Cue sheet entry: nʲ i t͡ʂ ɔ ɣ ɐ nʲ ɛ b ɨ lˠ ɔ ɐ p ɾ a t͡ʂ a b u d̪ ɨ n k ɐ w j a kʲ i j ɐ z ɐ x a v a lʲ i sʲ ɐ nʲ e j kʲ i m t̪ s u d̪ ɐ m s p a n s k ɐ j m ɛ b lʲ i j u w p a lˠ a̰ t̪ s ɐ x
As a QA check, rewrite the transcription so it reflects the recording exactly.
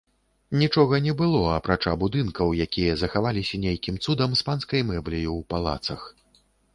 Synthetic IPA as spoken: nʲ i t͡ʂ ɔ ɣ ɐ nʲ ɛ b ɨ lˠ ɔ ɐ p ɾ a t͡ʂ a b u d̪ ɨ n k ɐ w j a kʲ i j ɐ z ɐ x a v a lʲ i sʲ ɐ nʲ e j kʲ i m t̪ s u d̪ ɐ m s p a n s k ɐ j m ɛ b lʲ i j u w p a lˠ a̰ t̪ s ɐ x